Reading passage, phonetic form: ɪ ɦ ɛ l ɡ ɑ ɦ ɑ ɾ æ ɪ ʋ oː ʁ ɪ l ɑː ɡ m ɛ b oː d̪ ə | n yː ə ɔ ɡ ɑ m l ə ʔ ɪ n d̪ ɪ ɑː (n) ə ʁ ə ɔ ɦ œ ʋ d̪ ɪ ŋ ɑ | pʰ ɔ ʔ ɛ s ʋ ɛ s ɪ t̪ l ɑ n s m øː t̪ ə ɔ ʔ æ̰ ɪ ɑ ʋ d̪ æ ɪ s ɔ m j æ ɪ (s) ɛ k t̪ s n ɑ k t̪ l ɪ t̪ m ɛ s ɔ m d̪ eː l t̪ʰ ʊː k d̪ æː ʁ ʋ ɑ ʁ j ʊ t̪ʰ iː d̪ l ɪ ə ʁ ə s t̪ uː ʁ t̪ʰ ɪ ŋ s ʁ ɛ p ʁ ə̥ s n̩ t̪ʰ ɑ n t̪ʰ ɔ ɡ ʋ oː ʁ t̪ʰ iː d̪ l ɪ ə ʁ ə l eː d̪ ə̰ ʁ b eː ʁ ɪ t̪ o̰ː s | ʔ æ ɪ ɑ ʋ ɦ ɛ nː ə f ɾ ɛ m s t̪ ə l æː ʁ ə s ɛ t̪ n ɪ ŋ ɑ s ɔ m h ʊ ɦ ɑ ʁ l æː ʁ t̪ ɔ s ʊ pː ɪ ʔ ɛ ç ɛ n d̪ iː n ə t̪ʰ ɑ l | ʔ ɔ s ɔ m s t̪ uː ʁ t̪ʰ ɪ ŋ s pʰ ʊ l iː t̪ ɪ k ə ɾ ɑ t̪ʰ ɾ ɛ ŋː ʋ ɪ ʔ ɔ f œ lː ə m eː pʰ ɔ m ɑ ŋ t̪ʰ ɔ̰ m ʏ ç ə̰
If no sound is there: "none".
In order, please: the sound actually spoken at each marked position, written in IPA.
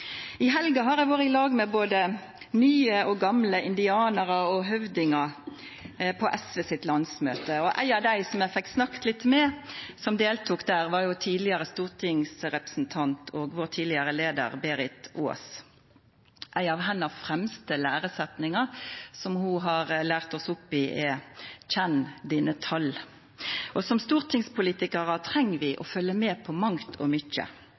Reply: n, f

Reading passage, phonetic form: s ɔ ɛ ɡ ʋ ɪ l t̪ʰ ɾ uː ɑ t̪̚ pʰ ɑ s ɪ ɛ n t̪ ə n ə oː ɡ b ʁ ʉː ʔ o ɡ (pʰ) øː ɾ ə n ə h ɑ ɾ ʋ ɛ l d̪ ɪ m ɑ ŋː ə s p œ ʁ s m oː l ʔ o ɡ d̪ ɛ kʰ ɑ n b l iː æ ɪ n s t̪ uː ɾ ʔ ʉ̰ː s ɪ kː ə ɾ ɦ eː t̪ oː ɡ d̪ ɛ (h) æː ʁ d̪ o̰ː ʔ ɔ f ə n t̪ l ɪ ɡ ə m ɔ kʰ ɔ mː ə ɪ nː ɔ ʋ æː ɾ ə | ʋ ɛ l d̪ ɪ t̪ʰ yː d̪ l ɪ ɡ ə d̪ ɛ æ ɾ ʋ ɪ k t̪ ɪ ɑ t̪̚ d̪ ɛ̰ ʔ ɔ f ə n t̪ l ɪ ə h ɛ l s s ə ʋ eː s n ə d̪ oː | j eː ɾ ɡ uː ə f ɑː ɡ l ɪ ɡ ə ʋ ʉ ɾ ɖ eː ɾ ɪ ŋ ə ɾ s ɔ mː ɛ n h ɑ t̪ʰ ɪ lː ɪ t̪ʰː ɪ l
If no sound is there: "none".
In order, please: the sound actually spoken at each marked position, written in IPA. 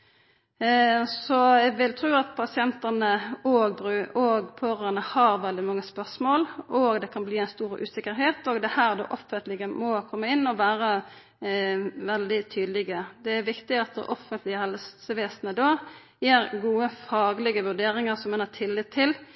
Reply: pʰ, h

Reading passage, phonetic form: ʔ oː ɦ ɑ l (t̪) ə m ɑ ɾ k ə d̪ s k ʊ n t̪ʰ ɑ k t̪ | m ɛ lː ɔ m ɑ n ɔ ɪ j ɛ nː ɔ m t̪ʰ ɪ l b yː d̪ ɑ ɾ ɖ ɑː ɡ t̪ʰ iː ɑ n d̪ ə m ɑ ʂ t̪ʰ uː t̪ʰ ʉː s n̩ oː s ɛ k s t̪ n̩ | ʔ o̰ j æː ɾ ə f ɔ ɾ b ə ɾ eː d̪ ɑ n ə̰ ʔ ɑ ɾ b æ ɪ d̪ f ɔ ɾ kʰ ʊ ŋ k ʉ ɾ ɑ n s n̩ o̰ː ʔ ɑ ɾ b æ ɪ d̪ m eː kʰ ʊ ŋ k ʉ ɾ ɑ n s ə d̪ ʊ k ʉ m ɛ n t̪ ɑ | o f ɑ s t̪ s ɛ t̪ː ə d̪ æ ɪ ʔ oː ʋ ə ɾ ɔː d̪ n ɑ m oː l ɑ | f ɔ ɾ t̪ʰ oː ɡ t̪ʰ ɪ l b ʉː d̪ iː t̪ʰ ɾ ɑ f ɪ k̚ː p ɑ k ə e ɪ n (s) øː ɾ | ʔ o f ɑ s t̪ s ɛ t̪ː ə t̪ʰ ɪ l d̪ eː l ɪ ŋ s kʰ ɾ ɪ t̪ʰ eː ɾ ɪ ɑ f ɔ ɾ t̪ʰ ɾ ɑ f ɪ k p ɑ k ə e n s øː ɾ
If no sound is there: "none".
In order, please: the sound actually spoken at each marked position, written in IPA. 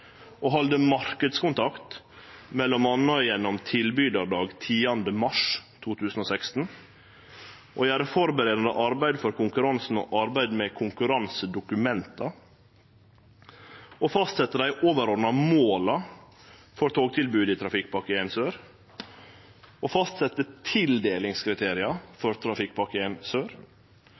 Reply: d̪, s

